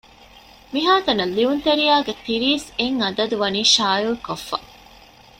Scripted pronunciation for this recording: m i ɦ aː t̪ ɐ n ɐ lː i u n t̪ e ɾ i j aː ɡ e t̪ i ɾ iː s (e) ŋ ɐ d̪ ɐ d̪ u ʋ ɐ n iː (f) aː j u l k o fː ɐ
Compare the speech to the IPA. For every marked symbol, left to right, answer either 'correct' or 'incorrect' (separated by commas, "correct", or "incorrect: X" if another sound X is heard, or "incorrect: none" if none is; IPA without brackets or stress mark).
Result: correct, incorrect: ʃ